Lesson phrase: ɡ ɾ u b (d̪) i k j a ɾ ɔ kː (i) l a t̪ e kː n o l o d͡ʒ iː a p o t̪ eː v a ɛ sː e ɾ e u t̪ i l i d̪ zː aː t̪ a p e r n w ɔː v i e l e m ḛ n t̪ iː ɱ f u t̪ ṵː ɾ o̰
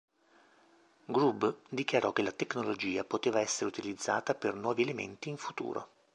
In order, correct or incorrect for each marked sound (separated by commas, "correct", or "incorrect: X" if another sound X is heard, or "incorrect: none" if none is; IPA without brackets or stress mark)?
correct, incorrect: e